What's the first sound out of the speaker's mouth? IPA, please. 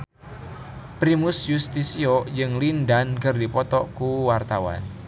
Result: p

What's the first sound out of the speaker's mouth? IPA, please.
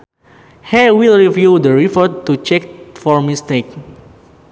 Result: h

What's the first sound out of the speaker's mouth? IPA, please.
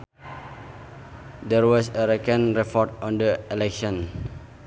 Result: d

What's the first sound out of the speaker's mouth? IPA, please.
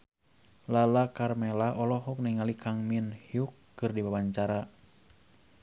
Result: l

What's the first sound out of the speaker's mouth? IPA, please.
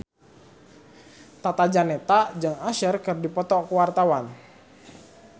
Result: t̪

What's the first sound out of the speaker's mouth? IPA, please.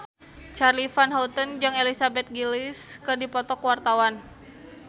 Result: t͡ʃ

